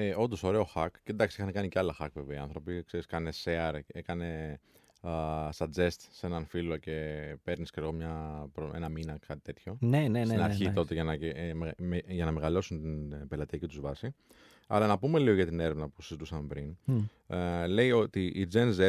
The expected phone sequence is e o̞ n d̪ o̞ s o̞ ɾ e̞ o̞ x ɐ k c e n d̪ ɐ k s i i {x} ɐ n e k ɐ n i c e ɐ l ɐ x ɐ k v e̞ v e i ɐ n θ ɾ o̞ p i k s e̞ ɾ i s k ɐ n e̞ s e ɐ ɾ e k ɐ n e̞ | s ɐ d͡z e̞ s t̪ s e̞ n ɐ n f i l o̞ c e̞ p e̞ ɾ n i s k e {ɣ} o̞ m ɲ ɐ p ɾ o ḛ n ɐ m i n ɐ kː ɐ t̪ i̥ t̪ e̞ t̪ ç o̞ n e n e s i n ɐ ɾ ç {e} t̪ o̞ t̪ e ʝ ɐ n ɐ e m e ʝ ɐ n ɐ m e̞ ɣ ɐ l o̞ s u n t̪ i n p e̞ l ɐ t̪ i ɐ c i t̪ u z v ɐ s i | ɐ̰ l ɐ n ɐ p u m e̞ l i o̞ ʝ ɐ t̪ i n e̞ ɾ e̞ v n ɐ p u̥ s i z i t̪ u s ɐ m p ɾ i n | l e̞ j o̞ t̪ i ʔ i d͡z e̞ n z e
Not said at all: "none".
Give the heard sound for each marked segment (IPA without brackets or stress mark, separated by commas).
x, ɣ, i